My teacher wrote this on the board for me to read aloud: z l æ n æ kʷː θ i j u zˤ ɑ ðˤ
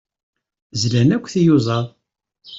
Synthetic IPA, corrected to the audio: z l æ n æ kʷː θ i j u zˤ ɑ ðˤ